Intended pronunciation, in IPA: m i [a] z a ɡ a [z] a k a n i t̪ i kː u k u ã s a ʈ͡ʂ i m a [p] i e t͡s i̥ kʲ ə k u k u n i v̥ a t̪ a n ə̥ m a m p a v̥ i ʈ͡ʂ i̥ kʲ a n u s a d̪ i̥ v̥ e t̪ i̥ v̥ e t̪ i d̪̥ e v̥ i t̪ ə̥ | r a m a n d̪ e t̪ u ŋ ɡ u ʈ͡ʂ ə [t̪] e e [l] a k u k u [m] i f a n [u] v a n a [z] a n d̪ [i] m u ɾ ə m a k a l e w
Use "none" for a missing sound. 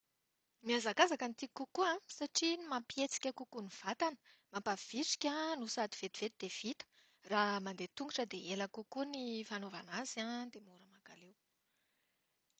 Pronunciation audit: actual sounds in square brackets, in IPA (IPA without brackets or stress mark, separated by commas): a, z, p, d̪, l, n, o, z, e